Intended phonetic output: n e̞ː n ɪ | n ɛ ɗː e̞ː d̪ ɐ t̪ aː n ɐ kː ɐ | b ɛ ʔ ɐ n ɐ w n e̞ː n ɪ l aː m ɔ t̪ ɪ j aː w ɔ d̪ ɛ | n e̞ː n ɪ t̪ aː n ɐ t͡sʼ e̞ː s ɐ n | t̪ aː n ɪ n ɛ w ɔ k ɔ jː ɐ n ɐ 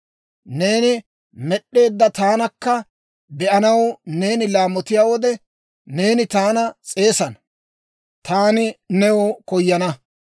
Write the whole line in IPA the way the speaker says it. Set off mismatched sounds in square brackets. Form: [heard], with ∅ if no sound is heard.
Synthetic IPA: n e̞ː n ɪ | [m] ɛ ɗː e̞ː [d̪ː] ɐ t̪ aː n ɐ kː ɐ | b ɛ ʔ ɐ n ɐ w n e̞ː n ɪ l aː m ɔ t̪ ɪ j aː w ɔ d̪ ɛ | n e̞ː n ɪ t̪ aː n ɐ t͡sʼ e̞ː s ɐ n | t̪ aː n ɪ n ɛ w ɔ k ɔ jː ɐ n ɐ